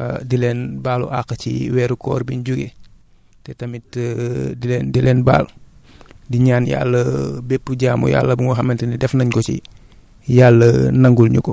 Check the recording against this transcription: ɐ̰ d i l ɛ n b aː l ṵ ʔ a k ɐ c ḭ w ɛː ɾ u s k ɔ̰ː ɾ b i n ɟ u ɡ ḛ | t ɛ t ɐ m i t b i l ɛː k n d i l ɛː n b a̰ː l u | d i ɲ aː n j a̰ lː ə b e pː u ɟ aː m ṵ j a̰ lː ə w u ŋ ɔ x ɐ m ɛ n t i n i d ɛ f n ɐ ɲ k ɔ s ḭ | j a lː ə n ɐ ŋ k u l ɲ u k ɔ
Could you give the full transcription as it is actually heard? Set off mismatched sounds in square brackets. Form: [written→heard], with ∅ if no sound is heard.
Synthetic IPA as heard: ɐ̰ d i l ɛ n b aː l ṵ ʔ a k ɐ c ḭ w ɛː ɾ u [s→∅] k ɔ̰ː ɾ b i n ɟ u ɡ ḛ | t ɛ t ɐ m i t [b→d] i l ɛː [k→∅] n d i l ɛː n b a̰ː l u | d i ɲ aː n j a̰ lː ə b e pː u ɟ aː m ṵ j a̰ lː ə [w→b] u ŋ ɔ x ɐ m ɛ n t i n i d ɛ f n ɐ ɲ k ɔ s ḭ | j a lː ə n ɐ ŋ [k→ɡ] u l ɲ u k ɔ